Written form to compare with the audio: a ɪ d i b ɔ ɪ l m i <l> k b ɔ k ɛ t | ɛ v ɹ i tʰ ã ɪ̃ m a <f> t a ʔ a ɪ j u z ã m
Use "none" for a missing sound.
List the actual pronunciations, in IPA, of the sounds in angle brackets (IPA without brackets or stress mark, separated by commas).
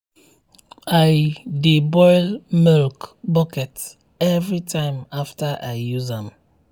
l, f